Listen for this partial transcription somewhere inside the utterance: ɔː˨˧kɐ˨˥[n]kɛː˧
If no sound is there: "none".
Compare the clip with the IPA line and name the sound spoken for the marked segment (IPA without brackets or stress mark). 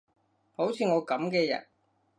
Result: m